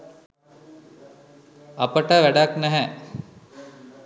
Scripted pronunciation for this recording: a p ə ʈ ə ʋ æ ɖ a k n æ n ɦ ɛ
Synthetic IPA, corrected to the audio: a p ə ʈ ə ʋ æ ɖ a k n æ ɦ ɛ